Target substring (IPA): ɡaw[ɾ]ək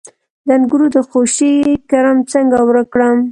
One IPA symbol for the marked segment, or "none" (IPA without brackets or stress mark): ɾ